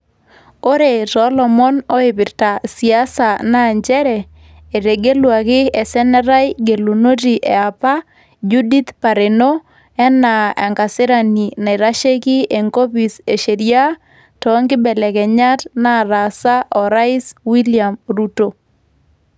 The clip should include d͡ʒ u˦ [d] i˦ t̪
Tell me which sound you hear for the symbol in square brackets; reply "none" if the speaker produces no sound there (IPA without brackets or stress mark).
d